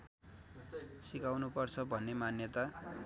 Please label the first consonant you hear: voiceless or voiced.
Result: voiceless